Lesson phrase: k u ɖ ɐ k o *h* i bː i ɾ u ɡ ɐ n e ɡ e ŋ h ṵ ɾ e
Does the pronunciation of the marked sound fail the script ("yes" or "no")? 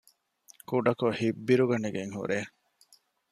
no